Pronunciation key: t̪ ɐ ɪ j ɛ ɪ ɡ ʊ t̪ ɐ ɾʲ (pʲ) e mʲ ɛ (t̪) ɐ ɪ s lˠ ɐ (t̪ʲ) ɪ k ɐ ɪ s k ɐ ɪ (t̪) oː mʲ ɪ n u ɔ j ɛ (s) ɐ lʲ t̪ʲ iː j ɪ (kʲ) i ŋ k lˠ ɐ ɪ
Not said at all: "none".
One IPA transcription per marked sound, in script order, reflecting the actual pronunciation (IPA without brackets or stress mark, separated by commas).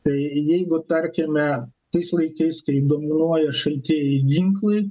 kʲ, t̪, none, d̪, ʃ, ɡʲ